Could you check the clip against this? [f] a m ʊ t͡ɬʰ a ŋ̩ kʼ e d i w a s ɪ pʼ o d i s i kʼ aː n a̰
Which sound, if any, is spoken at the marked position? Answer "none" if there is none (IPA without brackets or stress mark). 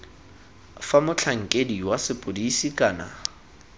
f